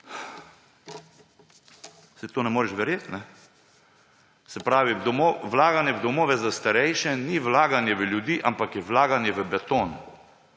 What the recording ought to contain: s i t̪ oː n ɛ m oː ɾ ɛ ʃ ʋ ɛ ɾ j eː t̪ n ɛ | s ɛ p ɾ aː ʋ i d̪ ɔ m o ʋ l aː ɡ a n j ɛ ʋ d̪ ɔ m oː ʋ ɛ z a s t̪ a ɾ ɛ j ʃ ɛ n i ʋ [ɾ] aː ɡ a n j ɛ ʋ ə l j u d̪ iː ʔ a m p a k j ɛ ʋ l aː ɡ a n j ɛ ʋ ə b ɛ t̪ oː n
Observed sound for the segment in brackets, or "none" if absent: l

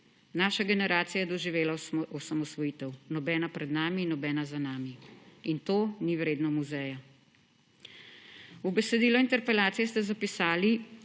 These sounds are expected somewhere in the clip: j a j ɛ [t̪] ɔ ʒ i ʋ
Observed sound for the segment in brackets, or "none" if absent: d̪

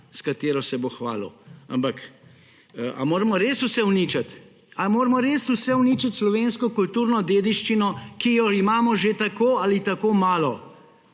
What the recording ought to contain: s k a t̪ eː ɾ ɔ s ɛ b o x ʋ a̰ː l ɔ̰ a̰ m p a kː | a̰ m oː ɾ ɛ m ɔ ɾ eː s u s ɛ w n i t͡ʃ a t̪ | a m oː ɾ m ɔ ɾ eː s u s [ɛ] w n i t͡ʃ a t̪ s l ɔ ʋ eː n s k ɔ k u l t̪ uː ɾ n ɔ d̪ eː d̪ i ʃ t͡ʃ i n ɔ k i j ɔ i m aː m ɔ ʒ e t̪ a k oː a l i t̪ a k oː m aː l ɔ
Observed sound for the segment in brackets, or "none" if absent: ɛ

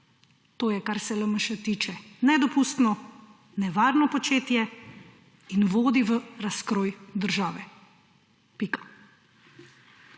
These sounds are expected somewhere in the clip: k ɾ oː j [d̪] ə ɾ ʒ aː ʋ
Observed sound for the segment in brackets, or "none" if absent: d̪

